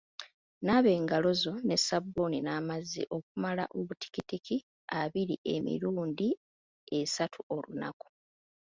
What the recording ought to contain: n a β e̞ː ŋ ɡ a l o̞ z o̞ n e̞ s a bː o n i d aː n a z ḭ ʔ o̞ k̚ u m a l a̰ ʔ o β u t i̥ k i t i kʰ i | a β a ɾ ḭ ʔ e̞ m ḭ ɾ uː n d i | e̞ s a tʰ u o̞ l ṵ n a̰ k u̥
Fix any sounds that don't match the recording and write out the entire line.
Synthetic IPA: n a β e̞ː ŋ ɡ a l o̞ z o̞ n e̞ s a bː o n i n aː m a z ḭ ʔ o̞ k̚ u m a l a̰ ʔ o β u t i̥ k i t i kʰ i | a β i ɾ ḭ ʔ e̞ m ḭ ɾ uː n d i | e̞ s a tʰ u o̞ l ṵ n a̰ k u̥